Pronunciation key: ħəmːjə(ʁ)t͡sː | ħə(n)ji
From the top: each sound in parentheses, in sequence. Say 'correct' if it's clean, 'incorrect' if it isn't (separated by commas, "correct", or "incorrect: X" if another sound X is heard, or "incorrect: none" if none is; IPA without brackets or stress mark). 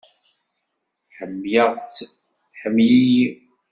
correct, incorrect: m